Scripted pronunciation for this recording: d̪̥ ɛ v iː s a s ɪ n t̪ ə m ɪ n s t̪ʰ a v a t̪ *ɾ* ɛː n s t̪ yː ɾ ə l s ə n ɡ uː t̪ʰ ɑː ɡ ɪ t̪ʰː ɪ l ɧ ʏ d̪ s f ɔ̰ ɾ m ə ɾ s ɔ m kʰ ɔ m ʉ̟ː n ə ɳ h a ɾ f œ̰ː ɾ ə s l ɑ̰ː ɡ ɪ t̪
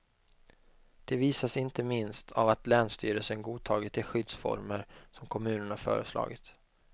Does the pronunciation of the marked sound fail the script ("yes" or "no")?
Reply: yes